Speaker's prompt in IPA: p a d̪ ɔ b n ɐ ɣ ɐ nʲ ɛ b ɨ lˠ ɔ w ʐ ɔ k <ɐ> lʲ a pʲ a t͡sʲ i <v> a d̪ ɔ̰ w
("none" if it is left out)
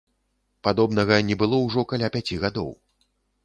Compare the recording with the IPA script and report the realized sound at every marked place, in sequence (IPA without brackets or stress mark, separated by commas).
a, ɣ